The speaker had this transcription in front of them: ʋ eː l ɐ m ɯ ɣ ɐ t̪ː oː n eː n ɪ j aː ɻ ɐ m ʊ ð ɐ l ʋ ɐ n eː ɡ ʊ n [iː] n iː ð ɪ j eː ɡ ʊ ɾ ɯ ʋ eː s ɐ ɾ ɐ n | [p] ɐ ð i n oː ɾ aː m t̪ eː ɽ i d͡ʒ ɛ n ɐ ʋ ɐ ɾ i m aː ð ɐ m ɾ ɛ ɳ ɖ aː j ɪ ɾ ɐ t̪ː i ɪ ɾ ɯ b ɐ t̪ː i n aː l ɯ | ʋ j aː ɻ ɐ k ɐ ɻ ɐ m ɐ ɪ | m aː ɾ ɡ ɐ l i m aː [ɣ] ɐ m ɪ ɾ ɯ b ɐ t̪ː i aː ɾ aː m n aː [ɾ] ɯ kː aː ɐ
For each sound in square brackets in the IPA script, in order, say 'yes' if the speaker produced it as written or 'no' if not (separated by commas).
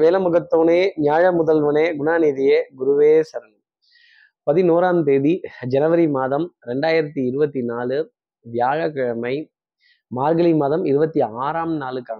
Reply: no, yes, no, no